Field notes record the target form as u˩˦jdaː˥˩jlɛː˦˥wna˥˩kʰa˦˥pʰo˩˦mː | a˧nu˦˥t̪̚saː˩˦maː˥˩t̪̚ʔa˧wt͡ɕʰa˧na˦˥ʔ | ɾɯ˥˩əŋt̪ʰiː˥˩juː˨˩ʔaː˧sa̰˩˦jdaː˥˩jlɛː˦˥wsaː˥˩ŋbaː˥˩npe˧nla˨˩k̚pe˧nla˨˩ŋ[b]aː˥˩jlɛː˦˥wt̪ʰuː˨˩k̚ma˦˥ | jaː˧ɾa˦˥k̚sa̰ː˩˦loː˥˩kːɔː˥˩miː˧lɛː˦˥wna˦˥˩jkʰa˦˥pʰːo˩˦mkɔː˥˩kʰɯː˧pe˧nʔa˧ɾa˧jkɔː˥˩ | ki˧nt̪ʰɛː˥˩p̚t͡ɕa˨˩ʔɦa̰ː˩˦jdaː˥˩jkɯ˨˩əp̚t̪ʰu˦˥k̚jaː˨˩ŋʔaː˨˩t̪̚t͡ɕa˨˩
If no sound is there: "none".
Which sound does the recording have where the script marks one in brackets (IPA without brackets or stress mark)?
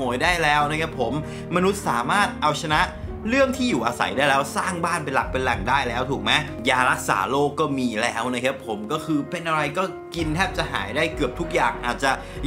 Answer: d